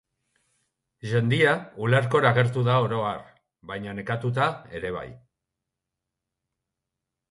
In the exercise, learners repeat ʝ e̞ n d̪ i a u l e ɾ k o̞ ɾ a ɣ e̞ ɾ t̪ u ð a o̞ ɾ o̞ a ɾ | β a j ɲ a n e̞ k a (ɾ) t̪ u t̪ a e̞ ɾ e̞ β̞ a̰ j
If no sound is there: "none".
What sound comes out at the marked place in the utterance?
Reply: none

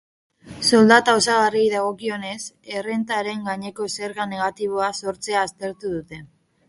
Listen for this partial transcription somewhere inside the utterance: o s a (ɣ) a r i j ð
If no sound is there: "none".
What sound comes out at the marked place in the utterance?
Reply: ɣ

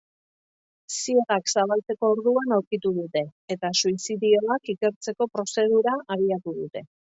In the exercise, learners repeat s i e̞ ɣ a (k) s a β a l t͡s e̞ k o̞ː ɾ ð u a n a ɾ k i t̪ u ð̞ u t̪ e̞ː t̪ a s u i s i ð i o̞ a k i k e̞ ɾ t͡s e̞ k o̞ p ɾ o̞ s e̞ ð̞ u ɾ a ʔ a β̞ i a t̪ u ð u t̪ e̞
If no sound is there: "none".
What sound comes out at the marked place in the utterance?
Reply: k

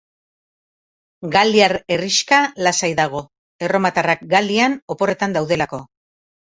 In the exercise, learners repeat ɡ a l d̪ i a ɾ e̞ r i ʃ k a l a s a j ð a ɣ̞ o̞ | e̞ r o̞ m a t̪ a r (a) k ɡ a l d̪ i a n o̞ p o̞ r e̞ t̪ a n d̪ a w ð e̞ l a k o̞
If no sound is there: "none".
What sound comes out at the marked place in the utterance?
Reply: a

